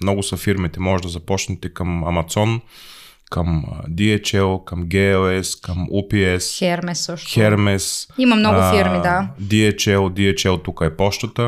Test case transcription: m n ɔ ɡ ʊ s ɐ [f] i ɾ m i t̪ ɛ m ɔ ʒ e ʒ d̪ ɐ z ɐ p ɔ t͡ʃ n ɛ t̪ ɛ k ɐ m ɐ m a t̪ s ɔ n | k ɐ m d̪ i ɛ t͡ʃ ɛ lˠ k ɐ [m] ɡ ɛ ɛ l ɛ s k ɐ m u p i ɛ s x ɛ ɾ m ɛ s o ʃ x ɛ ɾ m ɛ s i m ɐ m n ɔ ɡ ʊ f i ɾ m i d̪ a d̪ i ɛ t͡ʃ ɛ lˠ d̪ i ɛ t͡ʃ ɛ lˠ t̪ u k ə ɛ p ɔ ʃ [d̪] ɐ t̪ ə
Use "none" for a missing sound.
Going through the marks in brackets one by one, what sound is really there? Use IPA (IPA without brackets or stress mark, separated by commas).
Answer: f, m, t̪